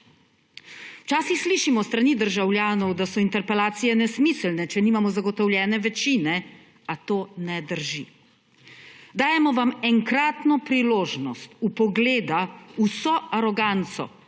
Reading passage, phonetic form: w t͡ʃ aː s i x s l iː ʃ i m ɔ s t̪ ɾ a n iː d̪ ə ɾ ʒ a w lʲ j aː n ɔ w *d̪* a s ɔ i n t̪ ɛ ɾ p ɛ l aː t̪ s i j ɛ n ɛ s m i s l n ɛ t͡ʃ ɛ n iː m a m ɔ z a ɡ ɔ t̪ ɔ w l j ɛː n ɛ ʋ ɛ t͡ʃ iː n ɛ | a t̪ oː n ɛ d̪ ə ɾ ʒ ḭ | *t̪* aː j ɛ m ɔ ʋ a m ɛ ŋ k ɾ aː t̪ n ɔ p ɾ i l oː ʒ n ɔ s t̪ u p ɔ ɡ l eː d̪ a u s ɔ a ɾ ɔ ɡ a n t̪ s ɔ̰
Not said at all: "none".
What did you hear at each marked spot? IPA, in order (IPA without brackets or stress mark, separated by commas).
d̪, d̪